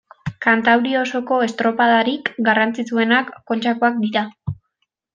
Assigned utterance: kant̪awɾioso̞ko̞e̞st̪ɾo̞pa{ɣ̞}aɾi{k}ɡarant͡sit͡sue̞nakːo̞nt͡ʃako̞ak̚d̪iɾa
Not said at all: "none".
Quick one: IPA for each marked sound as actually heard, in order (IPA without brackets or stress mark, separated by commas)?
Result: ð̞, k